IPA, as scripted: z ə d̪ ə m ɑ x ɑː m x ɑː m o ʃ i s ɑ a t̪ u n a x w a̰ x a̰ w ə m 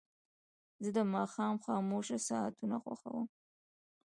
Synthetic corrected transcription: z ə d̪ ə m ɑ x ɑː m x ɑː m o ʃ a s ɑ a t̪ u n a x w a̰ x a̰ w ə m